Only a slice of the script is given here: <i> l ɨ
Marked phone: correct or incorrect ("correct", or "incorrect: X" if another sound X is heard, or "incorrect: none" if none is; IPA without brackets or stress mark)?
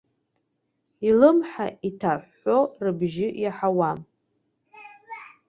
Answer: correct